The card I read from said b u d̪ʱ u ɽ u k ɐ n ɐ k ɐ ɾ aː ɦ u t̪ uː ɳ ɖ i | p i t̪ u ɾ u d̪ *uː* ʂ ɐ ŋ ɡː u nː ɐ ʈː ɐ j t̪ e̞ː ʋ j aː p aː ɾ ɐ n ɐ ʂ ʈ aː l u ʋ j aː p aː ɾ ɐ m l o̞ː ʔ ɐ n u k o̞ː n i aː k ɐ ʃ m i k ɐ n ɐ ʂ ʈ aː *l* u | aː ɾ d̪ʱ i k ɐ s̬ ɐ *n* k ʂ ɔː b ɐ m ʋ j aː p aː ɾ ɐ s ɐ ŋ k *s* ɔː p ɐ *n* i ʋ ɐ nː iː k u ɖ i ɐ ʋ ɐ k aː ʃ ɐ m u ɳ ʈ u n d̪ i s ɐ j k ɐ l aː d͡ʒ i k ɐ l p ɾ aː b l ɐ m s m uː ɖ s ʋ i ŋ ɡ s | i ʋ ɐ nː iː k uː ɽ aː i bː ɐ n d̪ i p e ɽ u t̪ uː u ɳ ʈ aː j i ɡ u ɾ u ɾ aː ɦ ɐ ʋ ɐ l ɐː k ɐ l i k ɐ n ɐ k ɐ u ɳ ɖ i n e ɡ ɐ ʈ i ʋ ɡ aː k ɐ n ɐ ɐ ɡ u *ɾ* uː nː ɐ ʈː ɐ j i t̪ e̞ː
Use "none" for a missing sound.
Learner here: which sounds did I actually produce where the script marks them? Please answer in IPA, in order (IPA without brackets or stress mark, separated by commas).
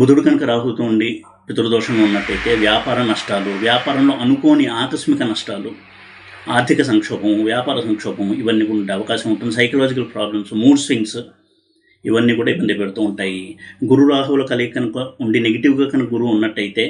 ɔː, l, ŋ, ʂ, m, ɾ